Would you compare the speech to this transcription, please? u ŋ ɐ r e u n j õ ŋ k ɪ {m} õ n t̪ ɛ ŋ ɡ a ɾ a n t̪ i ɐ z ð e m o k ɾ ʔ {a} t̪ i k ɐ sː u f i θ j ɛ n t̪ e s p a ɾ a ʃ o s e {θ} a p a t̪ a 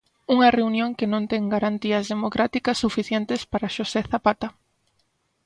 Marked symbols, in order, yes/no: no, yes, yes

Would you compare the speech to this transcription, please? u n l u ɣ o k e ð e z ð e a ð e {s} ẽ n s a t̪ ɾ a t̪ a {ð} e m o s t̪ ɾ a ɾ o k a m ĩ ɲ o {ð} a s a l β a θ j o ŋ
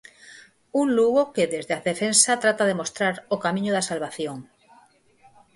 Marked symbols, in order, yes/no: no, yes, yes

